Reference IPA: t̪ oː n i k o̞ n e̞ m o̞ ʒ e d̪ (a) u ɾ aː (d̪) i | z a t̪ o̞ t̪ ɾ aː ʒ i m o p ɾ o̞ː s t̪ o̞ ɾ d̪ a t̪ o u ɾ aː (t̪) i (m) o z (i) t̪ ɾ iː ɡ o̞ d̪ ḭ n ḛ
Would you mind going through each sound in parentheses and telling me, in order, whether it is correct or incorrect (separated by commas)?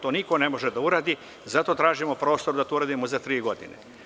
correct, correct, incorrect, correct, incorrect